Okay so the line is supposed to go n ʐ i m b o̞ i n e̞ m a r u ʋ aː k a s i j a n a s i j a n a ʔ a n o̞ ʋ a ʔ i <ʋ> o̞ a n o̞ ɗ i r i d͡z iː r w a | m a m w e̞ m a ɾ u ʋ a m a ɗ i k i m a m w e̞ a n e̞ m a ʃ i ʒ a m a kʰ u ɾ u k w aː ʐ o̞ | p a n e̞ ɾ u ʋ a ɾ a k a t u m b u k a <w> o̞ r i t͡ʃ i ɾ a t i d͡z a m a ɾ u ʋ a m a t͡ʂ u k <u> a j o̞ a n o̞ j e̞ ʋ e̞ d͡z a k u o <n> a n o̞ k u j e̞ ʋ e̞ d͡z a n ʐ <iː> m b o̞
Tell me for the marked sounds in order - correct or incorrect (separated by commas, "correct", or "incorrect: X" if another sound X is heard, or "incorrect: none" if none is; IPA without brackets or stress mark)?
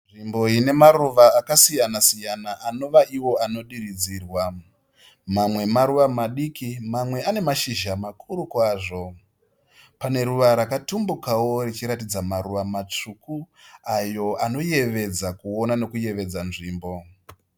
incorrect: w, correct, correct, correct, correct